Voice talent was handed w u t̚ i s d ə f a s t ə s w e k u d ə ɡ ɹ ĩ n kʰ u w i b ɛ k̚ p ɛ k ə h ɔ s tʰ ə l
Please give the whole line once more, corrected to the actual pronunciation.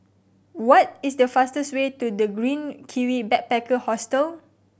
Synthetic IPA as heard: w ɔ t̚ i s d ə f a s t ə s w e t u d ə ɡ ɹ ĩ n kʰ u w i b ɛ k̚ p ɛ k ə h ɔ s t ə l